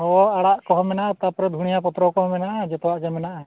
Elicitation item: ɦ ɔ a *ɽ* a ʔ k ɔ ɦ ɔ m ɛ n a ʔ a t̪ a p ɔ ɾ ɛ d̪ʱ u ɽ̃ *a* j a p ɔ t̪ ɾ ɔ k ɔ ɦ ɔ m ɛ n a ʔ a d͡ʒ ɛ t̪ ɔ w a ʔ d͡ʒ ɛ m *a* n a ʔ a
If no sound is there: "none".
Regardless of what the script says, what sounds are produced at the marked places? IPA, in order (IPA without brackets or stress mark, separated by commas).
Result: ɽ, i, ɛ